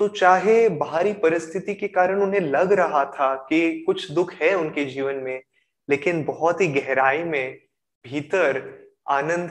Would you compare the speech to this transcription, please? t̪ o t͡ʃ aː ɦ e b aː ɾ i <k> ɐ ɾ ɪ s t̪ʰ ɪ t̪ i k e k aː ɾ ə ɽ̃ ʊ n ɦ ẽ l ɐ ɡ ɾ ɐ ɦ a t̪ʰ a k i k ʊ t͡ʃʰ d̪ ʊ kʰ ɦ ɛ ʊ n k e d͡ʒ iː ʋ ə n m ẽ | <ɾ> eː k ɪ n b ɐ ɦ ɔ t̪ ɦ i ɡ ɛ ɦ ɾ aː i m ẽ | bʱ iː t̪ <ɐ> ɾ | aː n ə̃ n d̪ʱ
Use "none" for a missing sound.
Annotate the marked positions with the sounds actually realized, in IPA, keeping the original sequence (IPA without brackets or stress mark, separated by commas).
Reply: p, l, ə